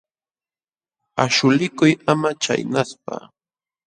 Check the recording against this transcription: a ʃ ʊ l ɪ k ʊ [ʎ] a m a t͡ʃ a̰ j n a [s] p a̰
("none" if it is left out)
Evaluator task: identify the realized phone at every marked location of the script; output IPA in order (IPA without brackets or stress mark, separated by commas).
j, s